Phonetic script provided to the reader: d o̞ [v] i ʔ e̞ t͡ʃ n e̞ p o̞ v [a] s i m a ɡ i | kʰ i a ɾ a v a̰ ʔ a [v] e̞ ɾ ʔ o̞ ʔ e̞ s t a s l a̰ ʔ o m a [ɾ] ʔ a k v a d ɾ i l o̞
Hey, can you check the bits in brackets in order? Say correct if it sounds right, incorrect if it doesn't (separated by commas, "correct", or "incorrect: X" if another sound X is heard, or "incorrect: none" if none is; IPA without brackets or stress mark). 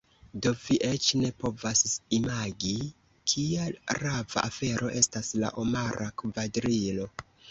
correct, correct, incorrect: f, correct